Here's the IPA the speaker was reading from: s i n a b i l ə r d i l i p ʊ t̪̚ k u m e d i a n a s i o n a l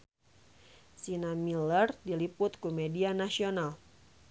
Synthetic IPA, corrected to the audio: s i n a m i l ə r d i l i p ʊ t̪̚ k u m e d i a n a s i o n a l